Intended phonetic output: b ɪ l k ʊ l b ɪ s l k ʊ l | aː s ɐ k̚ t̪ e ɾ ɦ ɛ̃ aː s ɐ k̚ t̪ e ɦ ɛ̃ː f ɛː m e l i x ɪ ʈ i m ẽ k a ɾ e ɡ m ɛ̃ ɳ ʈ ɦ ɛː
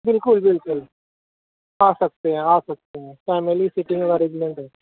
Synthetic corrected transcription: b ɪ l k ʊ l b ɪ l k ʊ l | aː s ɐ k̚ t̪ e ɦ ɛ̃ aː s ɐ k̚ t̪ e ɦ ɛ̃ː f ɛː m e l i s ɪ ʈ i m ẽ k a ɾ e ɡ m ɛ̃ ɳ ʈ ɦ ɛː